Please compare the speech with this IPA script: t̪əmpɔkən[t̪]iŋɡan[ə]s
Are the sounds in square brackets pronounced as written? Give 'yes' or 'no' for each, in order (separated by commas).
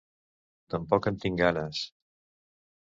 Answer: yes, yes